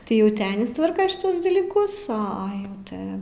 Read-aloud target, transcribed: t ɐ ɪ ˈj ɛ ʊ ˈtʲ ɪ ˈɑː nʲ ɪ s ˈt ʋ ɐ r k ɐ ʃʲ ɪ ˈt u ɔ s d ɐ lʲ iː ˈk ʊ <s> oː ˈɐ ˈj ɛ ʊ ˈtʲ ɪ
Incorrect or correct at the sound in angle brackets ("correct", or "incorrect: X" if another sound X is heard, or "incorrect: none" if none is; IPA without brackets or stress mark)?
correct